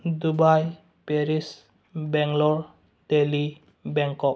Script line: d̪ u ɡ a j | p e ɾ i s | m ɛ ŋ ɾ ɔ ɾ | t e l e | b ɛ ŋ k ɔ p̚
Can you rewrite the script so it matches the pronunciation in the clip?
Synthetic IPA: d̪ u b a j | p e ɾ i s | b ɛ ŋ l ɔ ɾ | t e l i | b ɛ ŋ k ɔ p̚